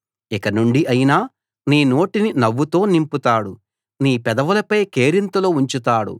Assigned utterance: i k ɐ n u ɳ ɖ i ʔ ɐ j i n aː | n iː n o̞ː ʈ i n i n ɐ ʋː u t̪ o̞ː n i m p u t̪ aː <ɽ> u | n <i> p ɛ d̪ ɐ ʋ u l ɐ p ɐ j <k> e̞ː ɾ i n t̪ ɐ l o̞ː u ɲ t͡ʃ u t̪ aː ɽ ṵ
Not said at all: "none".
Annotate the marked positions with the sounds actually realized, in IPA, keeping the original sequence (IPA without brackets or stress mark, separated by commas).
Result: ɽ, iː, k